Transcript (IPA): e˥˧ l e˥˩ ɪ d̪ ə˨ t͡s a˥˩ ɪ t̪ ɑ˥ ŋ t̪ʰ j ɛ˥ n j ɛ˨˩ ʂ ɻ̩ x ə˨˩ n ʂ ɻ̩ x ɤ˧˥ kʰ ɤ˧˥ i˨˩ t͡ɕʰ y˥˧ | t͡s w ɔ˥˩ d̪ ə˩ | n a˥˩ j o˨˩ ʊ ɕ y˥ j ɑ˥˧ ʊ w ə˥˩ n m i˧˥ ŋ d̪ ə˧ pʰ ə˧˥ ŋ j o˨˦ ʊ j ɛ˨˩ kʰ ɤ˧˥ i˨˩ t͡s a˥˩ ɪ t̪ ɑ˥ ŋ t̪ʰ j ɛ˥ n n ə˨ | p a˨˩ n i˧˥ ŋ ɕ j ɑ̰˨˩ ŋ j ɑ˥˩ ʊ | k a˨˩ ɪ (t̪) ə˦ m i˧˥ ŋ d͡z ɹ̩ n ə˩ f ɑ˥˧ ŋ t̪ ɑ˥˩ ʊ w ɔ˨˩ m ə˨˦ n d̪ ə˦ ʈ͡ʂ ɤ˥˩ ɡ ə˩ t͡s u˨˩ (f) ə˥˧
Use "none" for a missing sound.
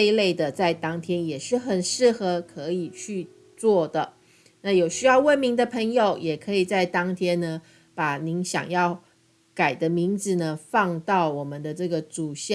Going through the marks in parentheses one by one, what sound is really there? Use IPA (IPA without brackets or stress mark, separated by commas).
d̪, ɕ